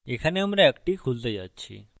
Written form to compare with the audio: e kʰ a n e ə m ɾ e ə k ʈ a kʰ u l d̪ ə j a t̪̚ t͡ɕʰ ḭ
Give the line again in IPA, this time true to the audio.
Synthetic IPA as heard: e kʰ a n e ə m ɾ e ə k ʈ i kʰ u l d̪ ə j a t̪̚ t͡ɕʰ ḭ